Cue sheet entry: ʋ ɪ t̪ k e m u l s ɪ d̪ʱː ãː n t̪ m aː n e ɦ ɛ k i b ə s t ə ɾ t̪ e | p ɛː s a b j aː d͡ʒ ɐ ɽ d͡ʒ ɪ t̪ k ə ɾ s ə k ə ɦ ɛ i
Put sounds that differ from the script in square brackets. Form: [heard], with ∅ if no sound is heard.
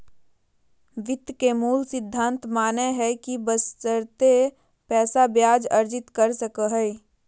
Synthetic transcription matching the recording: ʋ ɪ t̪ k e m [uː] l s ɪ d̪ʱː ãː n t̪ m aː n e ɦ ɛ k i b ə s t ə ɾ t̪ e | p ɛː s a b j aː d͡ʒ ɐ [ɾ] d͡ʒ ɪ t̪ k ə ɾ s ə k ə ɦ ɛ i